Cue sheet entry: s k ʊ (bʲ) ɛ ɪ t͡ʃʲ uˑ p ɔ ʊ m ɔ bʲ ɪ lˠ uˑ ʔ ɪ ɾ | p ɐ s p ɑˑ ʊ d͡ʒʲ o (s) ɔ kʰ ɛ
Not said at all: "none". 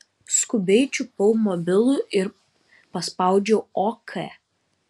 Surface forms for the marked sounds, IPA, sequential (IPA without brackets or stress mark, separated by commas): bʲ, none